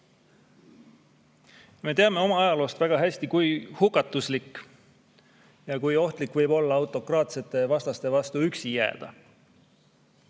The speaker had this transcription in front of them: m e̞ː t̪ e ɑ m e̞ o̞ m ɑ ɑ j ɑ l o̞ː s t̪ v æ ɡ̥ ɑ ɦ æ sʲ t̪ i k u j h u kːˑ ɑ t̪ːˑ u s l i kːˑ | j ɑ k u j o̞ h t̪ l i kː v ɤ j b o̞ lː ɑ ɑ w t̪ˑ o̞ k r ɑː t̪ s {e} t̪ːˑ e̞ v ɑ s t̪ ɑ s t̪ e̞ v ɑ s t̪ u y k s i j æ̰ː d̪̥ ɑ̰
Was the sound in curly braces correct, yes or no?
yes